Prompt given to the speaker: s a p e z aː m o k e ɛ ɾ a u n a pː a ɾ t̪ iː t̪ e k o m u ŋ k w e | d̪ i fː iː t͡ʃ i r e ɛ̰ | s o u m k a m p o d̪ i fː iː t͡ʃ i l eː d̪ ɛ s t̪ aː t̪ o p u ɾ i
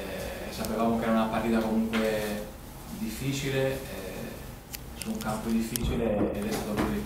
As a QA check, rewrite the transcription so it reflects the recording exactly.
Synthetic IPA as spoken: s a p e v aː m o k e ɛ ɾ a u n a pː a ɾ t̪ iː t̪ a k o m u ŋ k w e | d̪ i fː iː t͡ʃ i l e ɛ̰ | s u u ŋ k a m p o d̪ i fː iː t͡ʃ i l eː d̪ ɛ s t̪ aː t̪ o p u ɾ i

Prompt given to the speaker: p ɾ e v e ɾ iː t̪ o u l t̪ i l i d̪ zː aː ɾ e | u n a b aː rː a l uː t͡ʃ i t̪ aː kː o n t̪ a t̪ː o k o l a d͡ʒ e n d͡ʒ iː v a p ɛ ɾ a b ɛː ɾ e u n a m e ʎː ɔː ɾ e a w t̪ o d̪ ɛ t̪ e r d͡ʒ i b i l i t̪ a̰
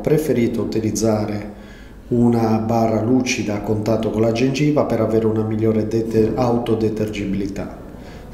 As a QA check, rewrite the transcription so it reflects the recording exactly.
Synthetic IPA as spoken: p ɾ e f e ɾ iː t̪ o u t̪ i l i d̪ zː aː ɾ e | u n a b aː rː a l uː t͡ʃ i d̪ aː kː o n t̪ a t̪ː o k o l a d͡ʒ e n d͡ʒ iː v a p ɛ ɾ a v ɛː ɾ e u n a m i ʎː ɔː ɾ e a w t̪ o d̪ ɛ t̪ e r d͡ʒ i b i l i t̪ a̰

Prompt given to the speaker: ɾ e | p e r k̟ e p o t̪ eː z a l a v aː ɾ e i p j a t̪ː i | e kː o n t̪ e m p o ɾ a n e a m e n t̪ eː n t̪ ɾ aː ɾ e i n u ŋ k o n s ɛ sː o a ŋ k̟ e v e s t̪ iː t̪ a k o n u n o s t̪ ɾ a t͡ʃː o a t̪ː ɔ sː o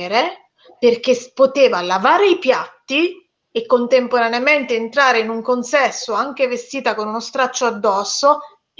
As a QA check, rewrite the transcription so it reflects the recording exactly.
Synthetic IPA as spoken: ɾ e | p e r k̟ e p o t̪ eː v a l a v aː ɾ e i p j a t̪ː i | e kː o n t̪ e m p o ɾ a n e a m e n t̪ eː n t̪ ɾ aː ɾ e i n u ŋ k o n s ɛ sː o a ŋ k̟ e v e s t̪ iː t̪ a k o n u n o s t̪ ɾ a t͡ʃː o a d̪ː ɔ sː o

